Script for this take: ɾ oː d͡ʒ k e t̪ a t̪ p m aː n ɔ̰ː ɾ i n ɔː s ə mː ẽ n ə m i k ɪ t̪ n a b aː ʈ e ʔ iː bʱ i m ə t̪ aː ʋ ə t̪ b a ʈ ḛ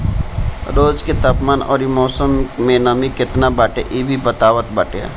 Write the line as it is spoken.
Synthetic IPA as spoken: ɾ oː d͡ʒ k e t̪ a p m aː n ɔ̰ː ɾ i m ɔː s ə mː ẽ n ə m i k ɪ t̪ n a b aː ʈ e ʔ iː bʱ i b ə t̪ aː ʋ ə t̪ b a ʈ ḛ